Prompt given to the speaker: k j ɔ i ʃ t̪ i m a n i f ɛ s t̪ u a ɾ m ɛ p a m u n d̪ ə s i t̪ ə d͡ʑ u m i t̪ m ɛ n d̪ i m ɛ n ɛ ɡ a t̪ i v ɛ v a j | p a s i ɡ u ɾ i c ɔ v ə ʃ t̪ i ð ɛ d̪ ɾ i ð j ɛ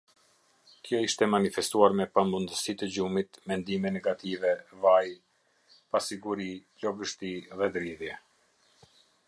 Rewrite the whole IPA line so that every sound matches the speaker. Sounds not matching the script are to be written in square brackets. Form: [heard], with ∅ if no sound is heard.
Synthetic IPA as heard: k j ɔ i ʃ t̪ [ɛ] m a n i f ɛ s t̪ u a ɾ m ɛ p a m u n d̪ ə s i t̪ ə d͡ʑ u m i t̪ m ɛ n d̪ i m ɛ n ɛ ɡ a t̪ i v ɛ v a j | p a s i ɡ u ɾ i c ɔ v ə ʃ t̪ i ð ɛ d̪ ɾ i ð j ɛ